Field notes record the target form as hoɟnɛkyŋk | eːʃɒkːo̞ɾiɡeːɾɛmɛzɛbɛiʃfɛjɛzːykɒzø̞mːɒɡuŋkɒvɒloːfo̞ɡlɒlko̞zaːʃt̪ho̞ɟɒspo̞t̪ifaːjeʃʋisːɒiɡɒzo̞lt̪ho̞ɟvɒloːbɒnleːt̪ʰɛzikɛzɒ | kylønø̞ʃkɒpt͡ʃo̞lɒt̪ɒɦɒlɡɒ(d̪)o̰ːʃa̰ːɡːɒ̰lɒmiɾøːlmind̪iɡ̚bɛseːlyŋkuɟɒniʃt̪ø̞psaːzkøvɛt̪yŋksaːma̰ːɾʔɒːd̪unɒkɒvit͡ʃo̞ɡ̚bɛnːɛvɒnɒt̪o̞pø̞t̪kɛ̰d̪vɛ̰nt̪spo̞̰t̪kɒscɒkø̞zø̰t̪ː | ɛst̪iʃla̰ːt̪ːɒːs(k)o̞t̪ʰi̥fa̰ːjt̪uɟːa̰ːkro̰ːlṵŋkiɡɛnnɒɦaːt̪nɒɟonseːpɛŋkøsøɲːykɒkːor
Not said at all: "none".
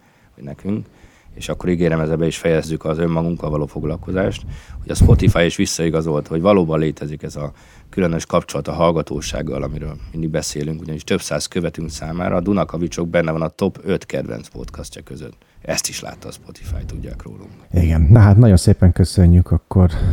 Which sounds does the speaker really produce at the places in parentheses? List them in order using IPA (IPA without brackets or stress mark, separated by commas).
t̪, p